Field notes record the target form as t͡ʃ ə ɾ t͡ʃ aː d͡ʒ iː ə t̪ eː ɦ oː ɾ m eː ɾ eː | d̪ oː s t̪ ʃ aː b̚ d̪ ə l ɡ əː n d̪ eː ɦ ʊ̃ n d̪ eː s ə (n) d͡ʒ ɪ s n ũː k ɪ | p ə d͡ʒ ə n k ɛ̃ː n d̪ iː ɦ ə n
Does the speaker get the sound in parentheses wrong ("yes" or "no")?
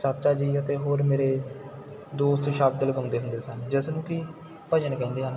no